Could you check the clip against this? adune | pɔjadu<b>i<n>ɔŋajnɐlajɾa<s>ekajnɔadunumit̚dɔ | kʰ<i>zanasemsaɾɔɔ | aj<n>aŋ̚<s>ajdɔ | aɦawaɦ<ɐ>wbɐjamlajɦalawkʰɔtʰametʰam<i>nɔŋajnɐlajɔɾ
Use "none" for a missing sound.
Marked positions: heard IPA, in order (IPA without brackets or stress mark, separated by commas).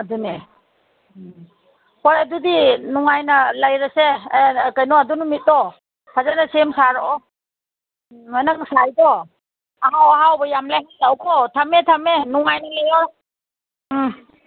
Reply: d, n, s, a, n, s, a, e